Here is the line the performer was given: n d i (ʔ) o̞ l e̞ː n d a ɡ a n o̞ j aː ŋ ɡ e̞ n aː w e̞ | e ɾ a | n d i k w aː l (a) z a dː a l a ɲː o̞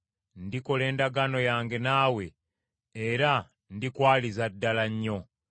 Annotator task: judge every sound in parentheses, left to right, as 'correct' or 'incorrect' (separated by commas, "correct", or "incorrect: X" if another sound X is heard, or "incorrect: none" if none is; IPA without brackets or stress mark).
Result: incorrect: k, incorrect: i